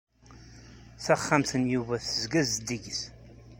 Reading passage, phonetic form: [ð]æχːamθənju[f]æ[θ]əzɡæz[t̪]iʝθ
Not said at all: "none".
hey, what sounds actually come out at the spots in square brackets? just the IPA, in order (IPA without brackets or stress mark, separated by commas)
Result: θ, v, θ, d̪